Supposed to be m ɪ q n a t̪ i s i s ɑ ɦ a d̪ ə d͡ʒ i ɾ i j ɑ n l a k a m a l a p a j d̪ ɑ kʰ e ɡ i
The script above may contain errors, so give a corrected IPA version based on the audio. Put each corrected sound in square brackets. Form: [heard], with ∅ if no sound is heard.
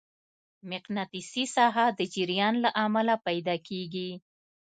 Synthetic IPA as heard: m ɪ q n a t̪ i s i s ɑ ɦ a d̪ ə d͡ʒ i ɾ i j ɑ n l a [ʔ] a m a l a p a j d̪ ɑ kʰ e ɡ i